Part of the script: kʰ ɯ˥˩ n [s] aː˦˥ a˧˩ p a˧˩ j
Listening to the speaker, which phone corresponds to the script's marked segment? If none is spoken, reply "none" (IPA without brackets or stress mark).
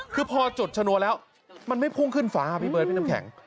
f